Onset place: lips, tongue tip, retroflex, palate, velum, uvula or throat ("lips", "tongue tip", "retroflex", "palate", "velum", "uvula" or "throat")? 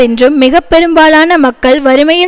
tongue tip